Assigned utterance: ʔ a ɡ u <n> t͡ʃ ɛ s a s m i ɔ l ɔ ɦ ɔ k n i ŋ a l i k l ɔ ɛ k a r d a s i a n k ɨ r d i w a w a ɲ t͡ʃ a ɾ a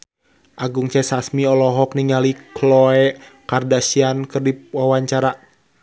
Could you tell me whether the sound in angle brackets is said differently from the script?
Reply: yes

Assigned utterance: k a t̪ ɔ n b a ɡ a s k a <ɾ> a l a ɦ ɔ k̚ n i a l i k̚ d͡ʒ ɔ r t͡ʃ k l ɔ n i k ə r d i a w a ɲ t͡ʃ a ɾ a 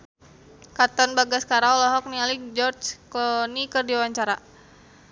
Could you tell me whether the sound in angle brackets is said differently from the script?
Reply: no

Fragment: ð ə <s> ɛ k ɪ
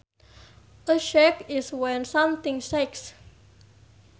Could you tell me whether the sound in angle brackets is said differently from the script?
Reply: yes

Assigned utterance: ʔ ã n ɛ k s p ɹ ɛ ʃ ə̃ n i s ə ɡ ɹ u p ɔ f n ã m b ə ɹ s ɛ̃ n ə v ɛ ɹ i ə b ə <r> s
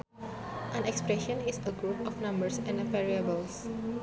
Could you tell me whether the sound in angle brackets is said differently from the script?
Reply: yes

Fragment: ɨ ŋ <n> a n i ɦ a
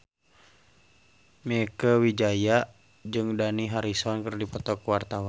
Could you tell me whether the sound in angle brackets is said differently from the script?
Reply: yes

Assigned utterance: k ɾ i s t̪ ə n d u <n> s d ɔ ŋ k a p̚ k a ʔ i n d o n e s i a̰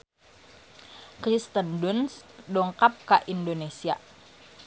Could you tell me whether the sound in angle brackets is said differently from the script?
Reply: no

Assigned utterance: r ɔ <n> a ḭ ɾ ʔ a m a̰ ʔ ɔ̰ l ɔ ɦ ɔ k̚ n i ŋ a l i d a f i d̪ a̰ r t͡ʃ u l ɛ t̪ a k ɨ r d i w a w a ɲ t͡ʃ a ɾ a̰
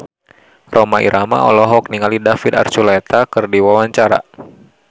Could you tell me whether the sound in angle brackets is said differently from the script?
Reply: yes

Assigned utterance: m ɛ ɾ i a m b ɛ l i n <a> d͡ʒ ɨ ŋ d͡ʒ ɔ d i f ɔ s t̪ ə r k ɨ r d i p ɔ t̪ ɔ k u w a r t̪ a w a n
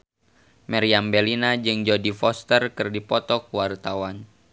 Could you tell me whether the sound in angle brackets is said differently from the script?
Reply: no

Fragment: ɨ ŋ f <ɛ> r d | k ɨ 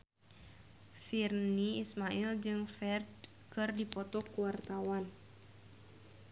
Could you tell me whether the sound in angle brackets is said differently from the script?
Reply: no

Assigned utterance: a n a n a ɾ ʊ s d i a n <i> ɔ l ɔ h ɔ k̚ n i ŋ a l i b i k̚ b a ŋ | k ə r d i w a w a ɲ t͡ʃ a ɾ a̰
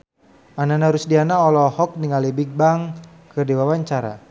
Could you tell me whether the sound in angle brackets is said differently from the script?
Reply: yes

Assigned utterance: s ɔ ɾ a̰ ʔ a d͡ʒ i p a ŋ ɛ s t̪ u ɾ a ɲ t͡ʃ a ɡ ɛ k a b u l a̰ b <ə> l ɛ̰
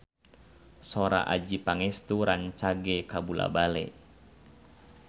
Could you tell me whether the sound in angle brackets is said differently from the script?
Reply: yes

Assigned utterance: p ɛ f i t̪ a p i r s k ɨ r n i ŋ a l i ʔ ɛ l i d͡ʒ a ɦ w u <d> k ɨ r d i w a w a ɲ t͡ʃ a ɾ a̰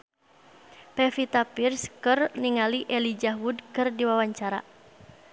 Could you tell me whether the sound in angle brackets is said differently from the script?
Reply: no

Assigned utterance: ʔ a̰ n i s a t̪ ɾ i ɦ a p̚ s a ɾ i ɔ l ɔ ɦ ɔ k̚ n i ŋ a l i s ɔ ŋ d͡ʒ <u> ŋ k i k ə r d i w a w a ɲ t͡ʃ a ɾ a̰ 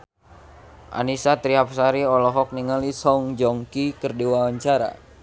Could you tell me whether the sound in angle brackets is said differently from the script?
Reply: yes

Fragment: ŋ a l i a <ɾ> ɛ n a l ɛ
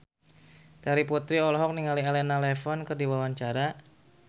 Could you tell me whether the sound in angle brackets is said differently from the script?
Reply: yes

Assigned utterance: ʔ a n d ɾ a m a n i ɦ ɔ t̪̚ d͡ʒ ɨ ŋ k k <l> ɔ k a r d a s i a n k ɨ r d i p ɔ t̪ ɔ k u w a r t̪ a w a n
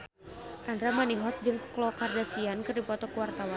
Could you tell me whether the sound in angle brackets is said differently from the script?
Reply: no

